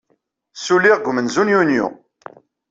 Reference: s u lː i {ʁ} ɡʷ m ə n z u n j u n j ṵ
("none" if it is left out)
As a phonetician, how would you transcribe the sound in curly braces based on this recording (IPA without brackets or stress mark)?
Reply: ʁ